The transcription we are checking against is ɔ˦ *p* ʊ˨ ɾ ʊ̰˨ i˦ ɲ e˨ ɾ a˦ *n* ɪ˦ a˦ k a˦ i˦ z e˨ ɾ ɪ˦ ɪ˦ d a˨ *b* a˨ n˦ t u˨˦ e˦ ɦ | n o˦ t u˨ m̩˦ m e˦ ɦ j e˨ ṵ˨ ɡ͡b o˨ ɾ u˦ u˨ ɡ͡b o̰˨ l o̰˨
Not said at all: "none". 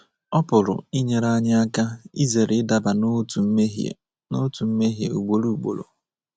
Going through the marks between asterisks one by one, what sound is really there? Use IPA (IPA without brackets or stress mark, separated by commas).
p, ɲ, b